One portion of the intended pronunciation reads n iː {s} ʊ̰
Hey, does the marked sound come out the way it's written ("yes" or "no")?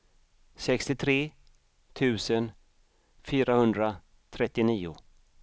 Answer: no